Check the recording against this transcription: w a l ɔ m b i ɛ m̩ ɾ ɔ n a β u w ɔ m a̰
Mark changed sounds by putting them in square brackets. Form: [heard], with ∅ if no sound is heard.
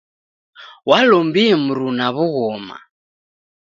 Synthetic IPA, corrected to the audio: w a l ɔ m b i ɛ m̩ ɾ [u] n a β u [ɣ] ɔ m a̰